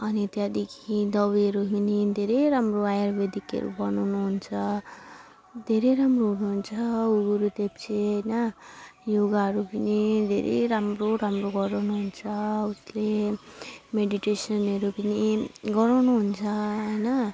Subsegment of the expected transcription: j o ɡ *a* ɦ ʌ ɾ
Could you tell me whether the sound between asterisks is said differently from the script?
no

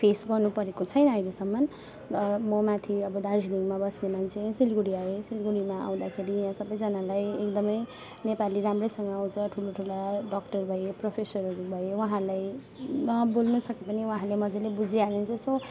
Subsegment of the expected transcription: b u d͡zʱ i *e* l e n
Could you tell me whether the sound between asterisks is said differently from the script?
yes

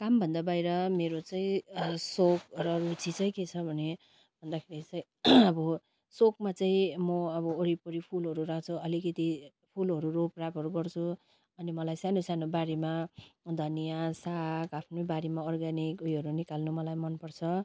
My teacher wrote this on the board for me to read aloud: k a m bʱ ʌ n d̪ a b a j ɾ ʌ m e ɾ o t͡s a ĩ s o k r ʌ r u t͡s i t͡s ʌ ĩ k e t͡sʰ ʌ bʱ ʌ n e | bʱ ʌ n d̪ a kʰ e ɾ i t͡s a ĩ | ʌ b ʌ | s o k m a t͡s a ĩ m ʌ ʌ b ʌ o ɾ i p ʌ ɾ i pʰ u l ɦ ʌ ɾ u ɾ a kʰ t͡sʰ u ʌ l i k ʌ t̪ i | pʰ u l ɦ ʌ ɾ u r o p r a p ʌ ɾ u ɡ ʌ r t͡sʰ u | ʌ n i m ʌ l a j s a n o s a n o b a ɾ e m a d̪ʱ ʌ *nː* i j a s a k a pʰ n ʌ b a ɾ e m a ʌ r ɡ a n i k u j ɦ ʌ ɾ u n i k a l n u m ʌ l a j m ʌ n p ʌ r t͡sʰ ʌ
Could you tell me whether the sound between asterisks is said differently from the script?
yes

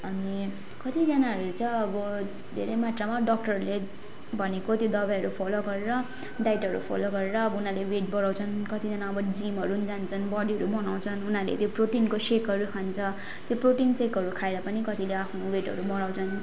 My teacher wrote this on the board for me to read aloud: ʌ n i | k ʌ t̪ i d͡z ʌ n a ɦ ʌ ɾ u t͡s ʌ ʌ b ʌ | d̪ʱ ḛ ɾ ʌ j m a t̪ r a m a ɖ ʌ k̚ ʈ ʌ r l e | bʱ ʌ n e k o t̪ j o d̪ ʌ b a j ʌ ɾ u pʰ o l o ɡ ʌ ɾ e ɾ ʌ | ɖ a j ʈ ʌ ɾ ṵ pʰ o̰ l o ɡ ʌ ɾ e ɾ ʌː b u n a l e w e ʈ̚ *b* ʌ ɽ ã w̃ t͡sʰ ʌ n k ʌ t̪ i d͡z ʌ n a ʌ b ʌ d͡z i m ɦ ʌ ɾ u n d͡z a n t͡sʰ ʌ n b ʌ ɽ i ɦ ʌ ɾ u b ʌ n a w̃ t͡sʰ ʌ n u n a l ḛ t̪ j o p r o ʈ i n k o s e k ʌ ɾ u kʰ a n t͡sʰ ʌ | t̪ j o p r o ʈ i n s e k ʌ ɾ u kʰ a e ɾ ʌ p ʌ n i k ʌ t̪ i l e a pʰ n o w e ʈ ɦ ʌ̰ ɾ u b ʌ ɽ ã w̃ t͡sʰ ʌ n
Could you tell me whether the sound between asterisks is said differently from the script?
no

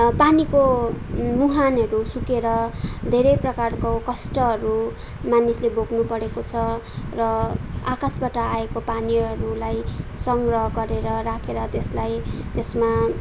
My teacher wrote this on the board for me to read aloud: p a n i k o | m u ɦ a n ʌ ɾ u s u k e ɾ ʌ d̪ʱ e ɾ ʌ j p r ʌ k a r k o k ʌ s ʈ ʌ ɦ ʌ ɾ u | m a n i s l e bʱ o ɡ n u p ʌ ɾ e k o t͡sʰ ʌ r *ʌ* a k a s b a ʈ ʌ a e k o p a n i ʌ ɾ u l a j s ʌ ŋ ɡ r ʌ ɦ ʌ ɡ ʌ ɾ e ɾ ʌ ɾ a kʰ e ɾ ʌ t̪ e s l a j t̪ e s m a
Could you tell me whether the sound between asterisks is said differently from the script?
no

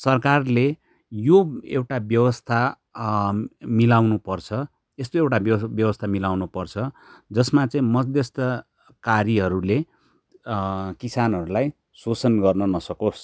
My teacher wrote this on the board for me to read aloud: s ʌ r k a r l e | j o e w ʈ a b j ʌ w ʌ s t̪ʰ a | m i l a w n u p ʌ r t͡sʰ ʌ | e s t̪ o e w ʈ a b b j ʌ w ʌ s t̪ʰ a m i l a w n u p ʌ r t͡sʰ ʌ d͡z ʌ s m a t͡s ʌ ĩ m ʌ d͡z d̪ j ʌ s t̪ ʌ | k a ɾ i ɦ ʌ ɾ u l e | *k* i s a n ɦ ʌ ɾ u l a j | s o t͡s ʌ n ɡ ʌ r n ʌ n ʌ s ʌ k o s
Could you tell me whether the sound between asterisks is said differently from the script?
no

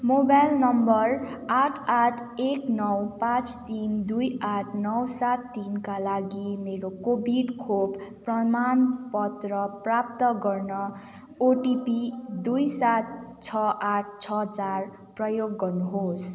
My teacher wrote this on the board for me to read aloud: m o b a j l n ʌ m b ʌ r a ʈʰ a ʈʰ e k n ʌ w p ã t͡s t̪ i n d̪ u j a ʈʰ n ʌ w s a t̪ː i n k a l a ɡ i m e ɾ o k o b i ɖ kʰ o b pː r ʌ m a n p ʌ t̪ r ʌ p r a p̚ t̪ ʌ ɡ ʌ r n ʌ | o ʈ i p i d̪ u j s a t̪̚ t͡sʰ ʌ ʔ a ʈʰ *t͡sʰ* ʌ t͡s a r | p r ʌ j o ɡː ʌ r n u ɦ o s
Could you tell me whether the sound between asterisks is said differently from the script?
no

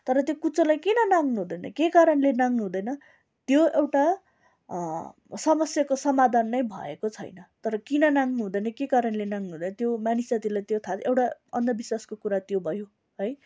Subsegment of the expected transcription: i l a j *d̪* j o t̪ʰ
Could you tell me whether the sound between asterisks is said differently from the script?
yes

